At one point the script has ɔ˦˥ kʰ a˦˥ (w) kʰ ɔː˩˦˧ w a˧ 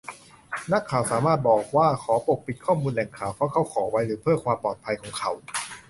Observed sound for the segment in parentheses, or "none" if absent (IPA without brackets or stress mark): w